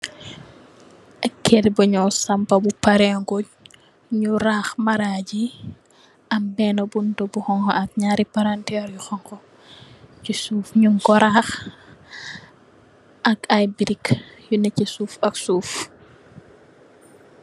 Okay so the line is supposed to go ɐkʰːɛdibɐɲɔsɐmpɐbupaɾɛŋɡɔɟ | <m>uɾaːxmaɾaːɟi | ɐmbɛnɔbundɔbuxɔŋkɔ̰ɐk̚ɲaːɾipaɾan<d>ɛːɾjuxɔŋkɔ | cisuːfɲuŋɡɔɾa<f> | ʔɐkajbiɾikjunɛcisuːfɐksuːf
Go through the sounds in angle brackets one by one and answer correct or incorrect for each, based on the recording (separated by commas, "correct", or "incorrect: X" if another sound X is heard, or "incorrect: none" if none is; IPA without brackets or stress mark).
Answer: incorrect: ɲ, incorrect: t, incorrect: x